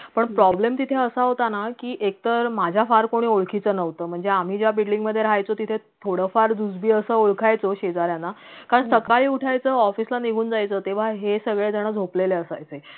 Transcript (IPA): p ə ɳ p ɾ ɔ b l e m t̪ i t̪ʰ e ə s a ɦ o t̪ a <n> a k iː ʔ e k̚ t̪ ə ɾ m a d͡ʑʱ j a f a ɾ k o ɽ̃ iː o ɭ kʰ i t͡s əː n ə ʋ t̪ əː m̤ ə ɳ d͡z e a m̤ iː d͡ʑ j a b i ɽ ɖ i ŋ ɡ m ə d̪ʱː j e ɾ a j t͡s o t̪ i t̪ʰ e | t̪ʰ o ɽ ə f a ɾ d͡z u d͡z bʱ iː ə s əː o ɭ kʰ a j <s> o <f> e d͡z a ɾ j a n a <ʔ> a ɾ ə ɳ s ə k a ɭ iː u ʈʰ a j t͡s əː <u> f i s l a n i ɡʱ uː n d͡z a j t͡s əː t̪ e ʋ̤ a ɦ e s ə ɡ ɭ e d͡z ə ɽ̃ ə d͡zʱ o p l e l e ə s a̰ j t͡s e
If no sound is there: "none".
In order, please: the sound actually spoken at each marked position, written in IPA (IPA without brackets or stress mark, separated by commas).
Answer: n, t͡s, ɕ, k, ɔ